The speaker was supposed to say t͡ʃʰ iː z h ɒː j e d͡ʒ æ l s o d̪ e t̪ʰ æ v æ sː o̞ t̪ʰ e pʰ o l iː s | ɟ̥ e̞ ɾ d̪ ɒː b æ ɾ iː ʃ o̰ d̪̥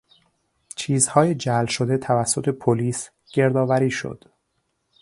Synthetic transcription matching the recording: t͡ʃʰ iː z h ɒː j e d͡ʒ æ l ʃ o d̪ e t̪ʰ æ v æ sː o̞ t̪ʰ e pʰ o l iː s | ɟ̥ e̞ ɾ d̪ ɒː v æ ɾ iː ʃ o̰ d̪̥